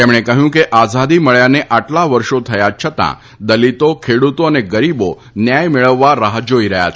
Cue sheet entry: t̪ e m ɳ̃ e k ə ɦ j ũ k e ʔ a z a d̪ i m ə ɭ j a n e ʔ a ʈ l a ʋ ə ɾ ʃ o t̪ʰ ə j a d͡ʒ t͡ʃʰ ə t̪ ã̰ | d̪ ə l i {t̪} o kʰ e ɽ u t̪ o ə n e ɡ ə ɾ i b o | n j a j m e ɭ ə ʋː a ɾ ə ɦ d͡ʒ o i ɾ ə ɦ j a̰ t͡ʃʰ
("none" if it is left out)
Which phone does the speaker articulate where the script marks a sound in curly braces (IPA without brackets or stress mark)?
t̪